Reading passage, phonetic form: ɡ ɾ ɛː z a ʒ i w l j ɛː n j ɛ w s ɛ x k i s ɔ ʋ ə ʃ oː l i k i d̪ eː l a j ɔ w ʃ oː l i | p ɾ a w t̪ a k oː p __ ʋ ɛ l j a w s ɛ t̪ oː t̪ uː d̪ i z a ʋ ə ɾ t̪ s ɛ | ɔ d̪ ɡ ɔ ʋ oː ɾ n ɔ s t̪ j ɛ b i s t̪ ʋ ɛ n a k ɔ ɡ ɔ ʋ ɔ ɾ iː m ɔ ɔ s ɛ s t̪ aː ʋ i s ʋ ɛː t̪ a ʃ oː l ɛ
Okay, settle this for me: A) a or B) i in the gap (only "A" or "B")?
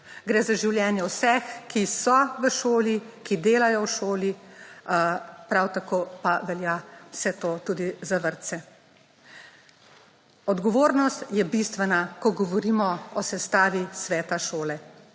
A